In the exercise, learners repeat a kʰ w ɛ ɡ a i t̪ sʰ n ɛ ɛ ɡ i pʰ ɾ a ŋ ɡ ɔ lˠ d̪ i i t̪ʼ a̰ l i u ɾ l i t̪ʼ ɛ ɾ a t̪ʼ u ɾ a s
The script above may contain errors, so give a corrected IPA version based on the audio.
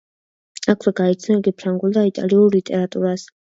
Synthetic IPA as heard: a kʰ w ɛ ɡ a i t̪ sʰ n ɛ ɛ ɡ i pʰ ɾ a ŋ ɡ u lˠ d̪ a i t̪ʼ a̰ l i u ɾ l i t̪ʼ ɛ ɾ a t̪ʼ u ɾ a s